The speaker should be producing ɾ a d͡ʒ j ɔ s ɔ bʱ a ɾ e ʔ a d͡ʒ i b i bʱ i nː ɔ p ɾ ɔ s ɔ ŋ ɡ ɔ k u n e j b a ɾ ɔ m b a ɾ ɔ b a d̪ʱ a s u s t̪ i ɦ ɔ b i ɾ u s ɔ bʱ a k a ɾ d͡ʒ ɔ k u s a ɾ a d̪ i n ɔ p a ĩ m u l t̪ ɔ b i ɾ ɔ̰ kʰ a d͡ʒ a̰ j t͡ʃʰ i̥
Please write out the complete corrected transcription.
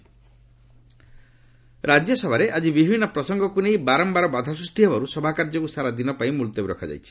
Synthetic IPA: ɾ a d͡ʒ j ɔ s ɔ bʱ a ɾ e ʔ a d͡ʒ i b i bʱ i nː ɔ p ɾ ɔ s ɔ ŋ ɡ ɔ k u n e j b a ɾ ɔ m b a ɾ ɔ b a d̪ʱ a s u s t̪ i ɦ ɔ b a ɾ u s ɔ bʱ a k a ɾ d͡ʒ ɔ k u s a ɾ a d̪ i n ɔ p a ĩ m u l t̪ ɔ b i ɾ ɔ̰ kʰ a d͡ʒ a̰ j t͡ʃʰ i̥